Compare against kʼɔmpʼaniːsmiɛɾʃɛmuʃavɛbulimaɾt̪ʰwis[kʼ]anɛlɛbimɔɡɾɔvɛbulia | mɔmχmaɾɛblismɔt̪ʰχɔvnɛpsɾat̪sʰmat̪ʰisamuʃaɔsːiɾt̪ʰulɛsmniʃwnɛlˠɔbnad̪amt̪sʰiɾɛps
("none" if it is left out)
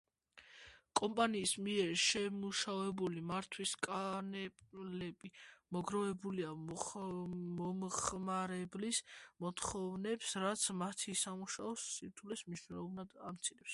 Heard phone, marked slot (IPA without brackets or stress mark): kʼ